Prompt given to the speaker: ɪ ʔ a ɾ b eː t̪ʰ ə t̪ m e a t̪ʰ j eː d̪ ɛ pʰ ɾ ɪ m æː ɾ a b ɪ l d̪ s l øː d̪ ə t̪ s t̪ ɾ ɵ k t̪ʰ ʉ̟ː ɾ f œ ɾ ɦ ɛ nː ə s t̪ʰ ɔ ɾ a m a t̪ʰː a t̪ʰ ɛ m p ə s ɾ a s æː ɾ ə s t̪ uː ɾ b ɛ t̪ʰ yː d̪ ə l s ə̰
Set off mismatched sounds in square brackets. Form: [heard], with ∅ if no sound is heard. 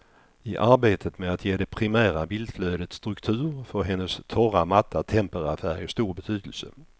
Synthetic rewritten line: ɪ ʔ a ɾ b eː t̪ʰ ə t̪ m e a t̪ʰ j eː d̪ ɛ pʰ ɾ ɪ m æː ɾ a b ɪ l d̪ [f] l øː d̪ ə t̪ s t̪ ɾ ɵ k t̪ʰ ʉ̟ː ɾ f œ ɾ ɦ ɛ nː ə s t̪ʰ ɔ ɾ a m a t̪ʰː a t̪ʰ ɛ m p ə [∅] ɾ a [f] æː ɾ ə s t̪ uː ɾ b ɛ t̪ʰ yː d̪ ə l s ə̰